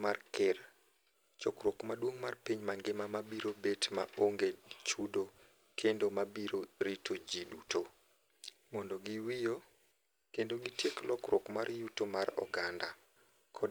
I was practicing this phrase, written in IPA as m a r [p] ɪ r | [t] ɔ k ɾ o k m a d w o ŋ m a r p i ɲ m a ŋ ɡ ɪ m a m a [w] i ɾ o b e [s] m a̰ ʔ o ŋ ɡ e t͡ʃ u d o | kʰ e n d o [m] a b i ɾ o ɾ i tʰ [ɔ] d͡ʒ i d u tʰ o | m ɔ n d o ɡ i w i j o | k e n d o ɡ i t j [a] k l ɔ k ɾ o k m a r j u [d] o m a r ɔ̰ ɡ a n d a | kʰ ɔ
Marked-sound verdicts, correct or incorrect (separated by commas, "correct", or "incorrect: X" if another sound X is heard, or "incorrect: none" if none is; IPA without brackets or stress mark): incorrect: k, incorrect: t͡ʃ, incorrect: b, incorrect: t, correct, incorrect: o, incorrect: e, incorrect: t